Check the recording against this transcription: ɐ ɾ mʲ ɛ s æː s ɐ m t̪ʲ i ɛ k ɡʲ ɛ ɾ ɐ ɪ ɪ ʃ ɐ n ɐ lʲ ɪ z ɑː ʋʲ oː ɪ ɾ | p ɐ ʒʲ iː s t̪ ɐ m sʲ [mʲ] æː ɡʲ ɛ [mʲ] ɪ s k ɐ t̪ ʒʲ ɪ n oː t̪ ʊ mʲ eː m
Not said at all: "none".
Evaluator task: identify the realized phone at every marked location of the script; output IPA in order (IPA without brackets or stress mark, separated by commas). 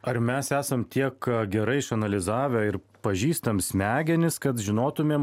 mʲ, nʲ